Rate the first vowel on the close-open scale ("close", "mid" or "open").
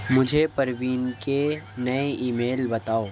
close